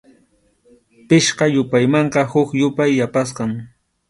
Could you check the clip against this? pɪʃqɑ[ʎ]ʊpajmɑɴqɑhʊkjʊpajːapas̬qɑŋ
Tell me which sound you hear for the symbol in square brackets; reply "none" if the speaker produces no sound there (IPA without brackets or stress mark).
j